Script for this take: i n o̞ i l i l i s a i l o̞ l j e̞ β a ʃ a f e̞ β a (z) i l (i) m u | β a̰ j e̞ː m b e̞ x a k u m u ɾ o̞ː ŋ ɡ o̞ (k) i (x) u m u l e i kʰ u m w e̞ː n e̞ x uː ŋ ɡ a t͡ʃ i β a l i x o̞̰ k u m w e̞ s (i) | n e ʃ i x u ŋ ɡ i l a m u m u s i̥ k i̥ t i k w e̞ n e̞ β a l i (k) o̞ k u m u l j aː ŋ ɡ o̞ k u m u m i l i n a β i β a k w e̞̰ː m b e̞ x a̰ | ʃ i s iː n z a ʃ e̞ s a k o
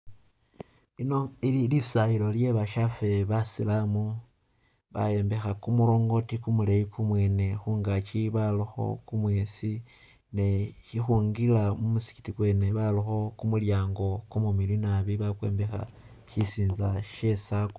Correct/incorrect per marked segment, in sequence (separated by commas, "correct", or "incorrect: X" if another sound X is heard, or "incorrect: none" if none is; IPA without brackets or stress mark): incorrect: s, incorrect: a, incorrect: t, incorrect: k, correct, incorrect: x